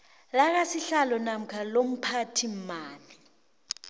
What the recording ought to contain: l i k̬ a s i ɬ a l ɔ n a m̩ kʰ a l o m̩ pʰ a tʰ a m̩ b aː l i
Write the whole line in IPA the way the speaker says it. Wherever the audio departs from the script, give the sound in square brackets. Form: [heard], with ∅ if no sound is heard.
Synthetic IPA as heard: l [a] k̬ a s i ɬ a l ɔ n a m̩ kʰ a l o m̩ pʰ a tʰ [i] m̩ [m] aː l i